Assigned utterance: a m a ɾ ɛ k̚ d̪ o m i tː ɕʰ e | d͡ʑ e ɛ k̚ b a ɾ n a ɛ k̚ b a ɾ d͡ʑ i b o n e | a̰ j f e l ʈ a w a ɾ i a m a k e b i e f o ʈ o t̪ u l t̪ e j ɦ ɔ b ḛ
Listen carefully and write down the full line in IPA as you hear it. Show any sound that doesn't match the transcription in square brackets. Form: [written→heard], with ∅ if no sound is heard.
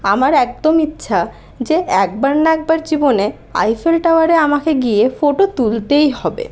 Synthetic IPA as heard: a m a ɾ ɛ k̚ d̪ o m i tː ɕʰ [e→a] | d͡ʑ e ɛ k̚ b a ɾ n a ɛ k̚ b a ɾ d͡ʑ i b o n e | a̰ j f e l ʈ a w a ɾ [i→e] a m a k e [b→ɡ] i e f o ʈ o t̪ u l t̪ e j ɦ ɔ b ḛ